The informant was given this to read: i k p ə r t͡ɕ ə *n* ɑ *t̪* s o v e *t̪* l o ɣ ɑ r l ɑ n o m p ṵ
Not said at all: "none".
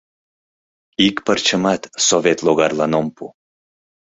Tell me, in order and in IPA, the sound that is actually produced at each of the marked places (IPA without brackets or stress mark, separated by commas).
m, t̪, t̪